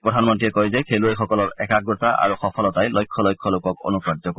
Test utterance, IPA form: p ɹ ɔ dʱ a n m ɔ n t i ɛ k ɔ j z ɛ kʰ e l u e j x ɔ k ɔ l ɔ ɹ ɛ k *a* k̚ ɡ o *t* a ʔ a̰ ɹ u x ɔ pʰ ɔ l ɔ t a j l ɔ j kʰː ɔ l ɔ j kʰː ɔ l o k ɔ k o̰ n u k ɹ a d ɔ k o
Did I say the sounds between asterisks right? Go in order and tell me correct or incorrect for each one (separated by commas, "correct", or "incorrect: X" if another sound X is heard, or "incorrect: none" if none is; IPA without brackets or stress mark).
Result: correct, correct